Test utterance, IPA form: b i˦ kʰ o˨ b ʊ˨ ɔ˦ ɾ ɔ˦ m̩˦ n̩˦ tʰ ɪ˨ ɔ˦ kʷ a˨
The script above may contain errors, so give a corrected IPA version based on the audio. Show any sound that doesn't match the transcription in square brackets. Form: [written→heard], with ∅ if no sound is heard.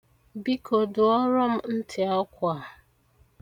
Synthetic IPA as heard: b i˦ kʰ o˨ [b→d] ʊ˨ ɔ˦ ɾ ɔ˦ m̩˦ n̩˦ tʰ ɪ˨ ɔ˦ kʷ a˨